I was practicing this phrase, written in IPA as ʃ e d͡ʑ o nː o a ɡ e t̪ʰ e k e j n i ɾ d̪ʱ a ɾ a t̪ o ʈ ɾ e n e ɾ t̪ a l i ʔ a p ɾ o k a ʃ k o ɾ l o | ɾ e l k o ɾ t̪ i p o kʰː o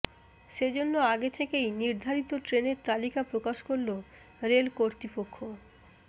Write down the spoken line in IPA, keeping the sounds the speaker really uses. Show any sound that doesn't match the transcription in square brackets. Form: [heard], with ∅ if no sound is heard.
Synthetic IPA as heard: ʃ e d͡ʑ o nː o a ɡ e t̪ʰ e k e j n i ɾ d̪ʱ a ɾ [i] t̪ o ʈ ɾ e n e ɾ t̪ a l i [k] a p ɾ o k a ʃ k o ɾ l o | ɾ e l k o ɾ t̪ i p o kʰː o